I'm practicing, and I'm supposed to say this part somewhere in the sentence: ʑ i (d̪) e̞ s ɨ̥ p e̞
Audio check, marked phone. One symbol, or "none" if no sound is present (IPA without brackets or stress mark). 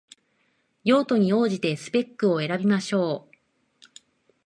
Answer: t̪